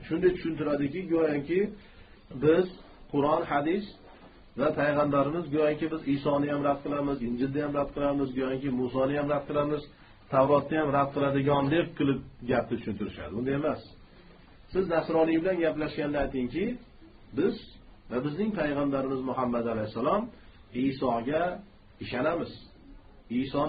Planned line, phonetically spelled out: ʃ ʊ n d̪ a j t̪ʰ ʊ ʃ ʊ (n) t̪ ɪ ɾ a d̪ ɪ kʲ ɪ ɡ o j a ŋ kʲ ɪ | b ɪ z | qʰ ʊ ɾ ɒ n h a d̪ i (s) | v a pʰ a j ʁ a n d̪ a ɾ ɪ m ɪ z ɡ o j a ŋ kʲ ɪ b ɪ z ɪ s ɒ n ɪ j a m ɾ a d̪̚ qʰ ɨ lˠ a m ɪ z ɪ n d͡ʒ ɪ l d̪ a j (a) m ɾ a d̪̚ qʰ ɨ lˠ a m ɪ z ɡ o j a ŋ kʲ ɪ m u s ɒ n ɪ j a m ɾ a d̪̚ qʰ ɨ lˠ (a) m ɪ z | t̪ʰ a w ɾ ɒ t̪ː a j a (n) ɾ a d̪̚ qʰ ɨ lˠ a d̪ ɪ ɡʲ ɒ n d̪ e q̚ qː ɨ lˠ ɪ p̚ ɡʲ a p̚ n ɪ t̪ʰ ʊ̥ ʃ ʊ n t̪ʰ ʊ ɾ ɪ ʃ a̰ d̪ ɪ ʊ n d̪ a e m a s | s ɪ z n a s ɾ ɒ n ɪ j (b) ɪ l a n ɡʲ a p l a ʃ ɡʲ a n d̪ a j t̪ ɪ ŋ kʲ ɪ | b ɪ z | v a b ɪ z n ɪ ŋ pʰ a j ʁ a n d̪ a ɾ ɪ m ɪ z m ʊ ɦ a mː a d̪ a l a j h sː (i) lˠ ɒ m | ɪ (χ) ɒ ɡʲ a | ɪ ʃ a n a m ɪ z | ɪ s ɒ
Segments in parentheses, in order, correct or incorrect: correct, correct, correct, correct, incorrect: m, correct, incorrect: a, incorrect: s

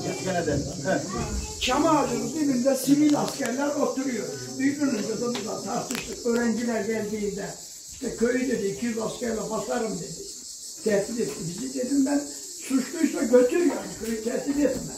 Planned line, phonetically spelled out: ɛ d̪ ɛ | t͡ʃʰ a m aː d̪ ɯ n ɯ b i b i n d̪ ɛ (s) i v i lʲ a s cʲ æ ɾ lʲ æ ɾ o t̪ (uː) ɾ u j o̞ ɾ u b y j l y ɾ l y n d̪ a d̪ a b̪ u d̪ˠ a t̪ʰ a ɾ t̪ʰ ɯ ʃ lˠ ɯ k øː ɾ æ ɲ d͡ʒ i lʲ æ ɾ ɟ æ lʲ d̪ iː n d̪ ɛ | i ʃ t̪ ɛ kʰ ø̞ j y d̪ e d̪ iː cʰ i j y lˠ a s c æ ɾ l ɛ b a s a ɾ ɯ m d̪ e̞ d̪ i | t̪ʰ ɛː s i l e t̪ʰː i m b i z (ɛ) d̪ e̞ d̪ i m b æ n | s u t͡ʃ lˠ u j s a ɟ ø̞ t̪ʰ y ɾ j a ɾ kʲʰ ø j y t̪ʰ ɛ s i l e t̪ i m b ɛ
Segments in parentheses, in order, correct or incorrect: correct, incorrect: u, incorrect: i

